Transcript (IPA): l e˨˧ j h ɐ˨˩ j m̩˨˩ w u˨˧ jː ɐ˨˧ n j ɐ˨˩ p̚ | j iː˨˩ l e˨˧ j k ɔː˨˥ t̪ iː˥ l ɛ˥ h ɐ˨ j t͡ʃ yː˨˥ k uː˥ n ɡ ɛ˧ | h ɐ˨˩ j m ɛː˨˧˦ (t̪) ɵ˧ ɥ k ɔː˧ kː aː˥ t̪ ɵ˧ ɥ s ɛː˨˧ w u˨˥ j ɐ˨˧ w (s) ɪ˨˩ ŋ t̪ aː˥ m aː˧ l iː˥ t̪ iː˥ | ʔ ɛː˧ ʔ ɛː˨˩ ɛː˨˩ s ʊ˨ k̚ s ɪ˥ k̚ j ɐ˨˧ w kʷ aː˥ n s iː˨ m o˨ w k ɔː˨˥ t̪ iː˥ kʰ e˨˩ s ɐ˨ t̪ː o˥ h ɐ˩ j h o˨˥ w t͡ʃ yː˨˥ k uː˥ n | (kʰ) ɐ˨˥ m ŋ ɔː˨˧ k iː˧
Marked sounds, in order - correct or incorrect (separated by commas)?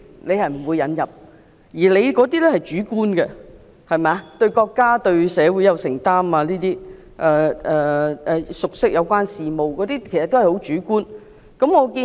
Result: correct, correct, incorrect